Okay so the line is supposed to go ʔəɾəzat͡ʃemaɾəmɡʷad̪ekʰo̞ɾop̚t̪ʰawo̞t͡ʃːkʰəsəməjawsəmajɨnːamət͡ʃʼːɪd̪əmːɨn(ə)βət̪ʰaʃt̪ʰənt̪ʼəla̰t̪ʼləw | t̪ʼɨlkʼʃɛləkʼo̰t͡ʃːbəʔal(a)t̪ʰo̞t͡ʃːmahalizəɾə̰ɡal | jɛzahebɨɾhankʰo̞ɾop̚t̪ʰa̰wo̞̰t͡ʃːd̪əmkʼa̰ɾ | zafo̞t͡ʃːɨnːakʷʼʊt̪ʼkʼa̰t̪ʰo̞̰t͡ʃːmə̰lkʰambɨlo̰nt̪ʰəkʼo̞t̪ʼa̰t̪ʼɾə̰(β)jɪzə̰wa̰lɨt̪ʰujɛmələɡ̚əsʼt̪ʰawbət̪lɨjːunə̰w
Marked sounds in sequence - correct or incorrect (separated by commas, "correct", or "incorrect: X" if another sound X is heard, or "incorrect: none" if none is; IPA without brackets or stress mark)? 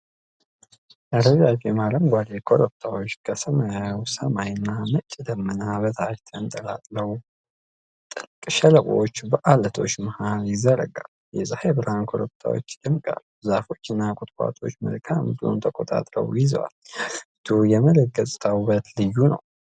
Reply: incorrect: a, incorrect: ə, incorrect: w